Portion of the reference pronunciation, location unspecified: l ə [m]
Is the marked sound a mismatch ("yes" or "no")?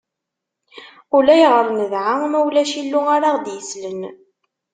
yes